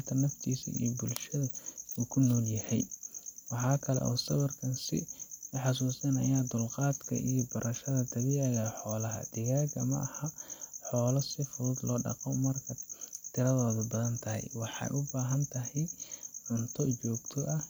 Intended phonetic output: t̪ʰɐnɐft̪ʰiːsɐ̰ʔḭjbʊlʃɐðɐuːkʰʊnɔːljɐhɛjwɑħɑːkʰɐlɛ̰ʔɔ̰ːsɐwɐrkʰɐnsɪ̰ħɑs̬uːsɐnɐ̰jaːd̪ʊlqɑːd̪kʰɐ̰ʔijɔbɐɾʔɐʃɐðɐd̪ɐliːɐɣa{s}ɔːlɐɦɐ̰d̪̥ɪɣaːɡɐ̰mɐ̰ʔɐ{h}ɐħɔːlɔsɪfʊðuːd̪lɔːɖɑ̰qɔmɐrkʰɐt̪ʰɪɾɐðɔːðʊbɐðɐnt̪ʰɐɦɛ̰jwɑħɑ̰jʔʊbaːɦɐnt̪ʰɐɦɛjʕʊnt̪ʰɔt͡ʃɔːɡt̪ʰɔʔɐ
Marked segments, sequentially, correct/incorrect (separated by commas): incorrect, correct